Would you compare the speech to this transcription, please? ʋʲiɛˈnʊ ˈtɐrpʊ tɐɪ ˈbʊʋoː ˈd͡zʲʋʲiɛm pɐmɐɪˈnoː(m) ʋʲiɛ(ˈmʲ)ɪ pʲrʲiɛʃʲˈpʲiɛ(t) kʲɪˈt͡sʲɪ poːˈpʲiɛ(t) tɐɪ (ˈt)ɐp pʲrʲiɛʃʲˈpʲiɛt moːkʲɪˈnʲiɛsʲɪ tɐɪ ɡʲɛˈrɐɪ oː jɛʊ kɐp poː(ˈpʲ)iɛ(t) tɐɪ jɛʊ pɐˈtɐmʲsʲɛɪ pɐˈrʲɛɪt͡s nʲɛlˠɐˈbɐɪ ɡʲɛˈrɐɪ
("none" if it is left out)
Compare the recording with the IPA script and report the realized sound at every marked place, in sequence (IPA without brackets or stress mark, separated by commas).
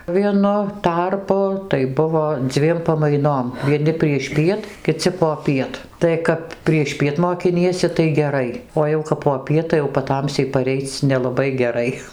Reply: m, nʲ, t, t, k, pʲ, t